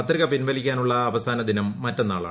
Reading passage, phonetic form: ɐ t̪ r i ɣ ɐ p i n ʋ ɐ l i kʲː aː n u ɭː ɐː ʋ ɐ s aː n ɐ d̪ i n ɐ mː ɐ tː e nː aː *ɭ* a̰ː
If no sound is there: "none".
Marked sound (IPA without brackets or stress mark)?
ɭ